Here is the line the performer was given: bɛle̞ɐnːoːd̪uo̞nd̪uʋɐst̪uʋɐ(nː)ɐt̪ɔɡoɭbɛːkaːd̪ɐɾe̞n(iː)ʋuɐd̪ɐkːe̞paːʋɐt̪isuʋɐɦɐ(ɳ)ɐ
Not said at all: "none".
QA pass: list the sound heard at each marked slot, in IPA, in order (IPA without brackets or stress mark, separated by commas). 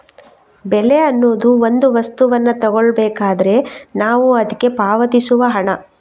nː, aː, ɳ